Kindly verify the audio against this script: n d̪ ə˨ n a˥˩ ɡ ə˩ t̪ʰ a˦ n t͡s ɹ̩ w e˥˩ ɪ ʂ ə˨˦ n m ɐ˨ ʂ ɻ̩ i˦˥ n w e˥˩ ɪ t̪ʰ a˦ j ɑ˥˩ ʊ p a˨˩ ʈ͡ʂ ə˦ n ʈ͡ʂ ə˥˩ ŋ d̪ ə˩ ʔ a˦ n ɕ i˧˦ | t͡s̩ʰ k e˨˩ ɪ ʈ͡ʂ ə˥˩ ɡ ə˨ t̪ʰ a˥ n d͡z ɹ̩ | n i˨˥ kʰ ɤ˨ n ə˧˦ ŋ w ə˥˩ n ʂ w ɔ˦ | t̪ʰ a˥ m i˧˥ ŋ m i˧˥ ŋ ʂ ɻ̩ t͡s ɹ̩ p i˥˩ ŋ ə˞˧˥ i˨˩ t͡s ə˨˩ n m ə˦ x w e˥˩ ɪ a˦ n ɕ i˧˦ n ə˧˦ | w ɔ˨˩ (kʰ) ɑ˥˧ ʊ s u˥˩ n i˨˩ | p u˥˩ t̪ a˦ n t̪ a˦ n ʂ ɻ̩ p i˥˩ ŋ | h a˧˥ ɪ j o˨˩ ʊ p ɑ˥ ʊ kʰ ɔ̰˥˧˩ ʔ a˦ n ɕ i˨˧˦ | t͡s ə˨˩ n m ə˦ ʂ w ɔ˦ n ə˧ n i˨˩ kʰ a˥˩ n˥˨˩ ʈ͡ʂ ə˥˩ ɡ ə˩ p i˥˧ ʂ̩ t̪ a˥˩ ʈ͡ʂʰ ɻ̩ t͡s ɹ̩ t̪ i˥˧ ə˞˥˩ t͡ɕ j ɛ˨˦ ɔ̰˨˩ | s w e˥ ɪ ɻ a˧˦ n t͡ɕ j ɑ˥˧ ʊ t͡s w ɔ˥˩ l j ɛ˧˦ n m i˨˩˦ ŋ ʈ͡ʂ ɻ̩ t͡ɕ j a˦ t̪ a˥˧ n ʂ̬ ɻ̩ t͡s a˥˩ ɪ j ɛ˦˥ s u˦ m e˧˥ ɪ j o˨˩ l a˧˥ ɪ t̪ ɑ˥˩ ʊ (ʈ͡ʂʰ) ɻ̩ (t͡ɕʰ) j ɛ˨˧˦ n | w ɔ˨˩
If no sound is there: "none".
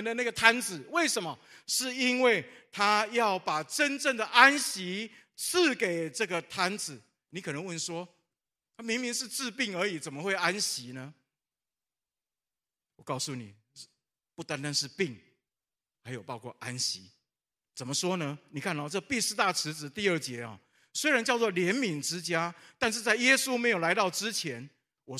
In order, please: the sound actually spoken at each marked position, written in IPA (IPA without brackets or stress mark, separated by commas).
k, ʈ͡ʂ, t͡ɕʰ